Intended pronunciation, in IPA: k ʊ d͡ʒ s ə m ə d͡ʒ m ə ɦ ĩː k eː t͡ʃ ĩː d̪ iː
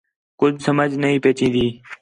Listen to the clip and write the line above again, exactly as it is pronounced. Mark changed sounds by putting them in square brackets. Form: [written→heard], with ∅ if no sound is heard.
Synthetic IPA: k ʊ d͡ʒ s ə m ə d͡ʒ [m→n] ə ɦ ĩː [k→p] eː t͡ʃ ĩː d̪ iː